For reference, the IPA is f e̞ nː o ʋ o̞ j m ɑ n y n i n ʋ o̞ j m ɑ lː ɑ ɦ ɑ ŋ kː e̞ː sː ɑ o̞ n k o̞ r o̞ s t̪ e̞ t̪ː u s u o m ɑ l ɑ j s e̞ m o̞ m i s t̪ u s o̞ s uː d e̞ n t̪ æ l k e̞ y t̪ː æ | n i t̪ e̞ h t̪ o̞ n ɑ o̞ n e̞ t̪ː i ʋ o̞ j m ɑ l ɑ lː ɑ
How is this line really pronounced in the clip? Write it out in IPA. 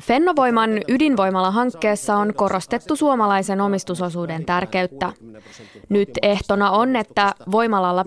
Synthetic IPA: f e̞ nː o ʋ o̞ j m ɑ n y d i n ʋ o̞ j m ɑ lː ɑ ɦ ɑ ŋ kː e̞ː sː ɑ o̞ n k o̞ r o̞ s t̪ e̞ t̪ː u s u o m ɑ l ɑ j s e̞ n o̞ m i s t̪ u s o̞ s uː d e̞ n t̪ æ r k e̞ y t̪ː æ | n y t̪ e̞ h t̪ o̞ n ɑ o̞ n e̞ t̪ː æ ʋ o̞ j m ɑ l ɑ lː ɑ